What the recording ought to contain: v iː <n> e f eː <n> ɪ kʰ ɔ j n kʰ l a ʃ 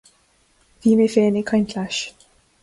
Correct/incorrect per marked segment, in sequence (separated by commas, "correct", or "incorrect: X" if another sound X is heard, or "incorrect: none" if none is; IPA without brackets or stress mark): incorrect: m, correct